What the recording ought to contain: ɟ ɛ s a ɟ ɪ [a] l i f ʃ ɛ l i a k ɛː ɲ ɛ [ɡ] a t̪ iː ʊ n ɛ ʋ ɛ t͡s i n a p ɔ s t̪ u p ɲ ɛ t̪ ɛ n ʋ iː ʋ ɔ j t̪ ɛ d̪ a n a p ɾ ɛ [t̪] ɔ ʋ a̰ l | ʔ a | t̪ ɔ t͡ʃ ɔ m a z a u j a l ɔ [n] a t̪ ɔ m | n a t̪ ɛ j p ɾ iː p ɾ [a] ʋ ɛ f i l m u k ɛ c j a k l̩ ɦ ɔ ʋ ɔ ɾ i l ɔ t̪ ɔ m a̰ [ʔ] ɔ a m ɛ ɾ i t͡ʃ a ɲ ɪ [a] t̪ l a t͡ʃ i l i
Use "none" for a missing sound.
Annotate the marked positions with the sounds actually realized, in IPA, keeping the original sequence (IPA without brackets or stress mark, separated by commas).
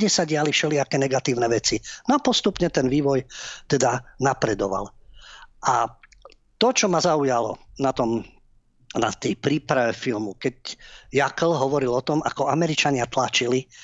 a, ɡ, d̪, n, a, k, a